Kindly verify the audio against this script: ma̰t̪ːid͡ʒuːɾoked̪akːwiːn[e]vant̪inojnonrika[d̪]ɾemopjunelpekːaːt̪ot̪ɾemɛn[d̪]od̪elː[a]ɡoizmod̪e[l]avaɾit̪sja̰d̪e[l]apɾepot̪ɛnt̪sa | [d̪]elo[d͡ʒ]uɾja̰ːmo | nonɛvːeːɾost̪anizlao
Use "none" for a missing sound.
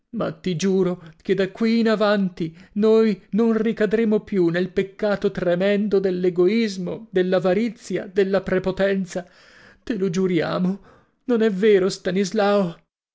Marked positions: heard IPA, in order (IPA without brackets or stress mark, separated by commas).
a, d̪, d̪, e, lː, lː, t̪, d͡ʒ